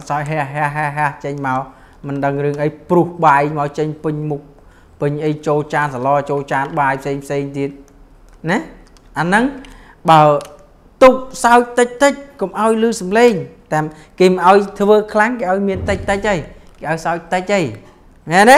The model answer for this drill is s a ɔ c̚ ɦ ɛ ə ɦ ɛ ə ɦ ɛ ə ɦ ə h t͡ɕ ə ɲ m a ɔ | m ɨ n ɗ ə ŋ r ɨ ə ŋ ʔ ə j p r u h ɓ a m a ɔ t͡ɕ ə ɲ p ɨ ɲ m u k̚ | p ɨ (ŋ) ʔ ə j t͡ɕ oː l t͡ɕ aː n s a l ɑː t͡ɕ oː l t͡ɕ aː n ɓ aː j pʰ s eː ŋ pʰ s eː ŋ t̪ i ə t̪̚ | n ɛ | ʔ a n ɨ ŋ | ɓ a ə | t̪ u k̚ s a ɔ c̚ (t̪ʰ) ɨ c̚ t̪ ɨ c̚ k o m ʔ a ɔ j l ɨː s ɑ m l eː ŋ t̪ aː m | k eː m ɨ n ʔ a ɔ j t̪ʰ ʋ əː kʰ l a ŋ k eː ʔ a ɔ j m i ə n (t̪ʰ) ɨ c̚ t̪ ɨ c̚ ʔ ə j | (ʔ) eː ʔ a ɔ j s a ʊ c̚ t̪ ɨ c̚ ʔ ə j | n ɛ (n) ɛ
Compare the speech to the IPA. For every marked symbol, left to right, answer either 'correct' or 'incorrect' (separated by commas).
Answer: incorrect, incorrect, incorrect, incorrect, correct